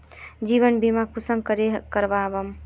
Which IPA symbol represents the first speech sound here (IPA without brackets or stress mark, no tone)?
d͡ʒ